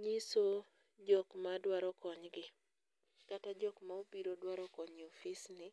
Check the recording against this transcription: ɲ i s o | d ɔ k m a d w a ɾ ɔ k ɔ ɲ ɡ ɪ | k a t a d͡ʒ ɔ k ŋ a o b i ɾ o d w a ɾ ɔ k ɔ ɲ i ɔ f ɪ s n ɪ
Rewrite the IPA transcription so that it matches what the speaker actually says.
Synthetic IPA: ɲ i s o | d͡ʒ ɔ k m a d w a ɾ ɔ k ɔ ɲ ɡ ɪ | k a t a d͡ʒ ɔ k m a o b i ɾ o d w a ɾ ɔ k ɔ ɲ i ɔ f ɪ s n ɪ